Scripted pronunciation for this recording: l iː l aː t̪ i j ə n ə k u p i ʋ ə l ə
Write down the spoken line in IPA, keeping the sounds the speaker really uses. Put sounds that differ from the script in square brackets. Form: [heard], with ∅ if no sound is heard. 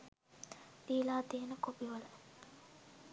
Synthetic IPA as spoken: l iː l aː t̪ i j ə n ə k [o] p i ʋ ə l ə